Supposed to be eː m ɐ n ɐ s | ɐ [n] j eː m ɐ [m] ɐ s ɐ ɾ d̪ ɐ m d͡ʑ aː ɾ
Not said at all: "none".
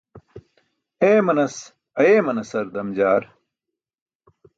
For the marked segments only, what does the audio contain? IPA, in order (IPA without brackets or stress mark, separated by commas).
none, n